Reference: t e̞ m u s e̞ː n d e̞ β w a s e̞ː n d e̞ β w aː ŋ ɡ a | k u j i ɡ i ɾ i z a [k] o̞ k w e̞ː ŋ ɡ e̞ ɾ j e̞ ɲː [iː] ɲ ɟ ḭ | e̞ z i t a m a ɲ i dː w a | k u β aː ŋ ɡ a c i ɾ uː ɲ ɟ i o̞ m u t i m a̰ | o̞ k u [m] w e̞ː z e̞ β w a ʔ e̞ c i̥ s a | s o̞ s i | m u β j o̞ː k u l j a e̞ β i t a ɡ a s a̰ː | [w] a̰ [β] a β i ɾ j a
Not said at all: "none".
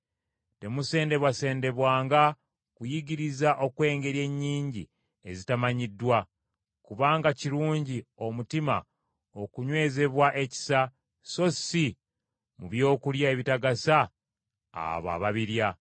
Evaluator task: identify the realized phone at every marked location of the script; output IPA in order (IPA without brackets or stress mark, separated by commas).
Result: ʔ, iː, ɲ, β, β